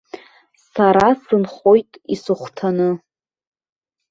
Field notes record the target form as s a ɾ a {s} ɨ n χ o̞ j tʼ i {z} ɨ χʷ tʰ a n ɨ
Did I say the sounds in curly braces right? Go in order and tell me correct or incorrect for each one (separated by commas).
correct, incorrect